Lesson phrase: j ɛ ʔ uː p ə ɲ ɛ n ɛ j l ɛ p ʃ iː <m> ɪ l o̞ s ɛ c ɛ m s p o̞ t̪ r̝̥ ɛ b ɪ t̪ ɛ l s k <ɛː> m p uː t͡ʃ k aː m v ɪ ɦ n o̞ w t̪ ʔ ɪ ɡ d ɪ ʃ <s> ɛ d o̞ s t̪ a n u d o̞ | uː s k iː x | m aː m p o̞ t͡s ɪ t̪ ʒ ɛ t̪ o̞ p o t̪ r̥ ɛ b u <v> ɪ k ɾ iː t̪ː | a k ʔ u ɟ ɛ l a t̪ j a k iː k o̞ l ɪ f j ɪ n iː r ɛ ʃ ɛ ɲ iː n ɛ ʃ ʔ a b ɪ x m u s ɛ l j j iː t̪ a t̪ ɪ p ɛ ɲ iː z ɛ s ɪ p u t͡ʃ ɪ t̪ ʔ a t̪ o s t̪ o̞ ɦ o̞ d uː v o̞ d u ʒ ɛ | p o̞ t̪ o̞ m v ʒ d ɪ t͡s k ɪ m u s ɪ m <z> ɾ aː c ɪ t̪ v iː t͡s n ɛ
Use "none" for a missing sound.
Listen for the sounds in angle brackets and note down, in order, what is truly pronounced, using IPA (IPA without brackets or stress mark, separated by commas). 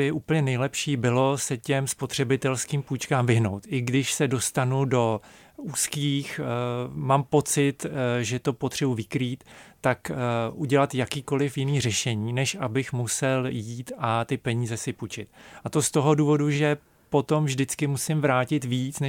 b, iː, s, v, v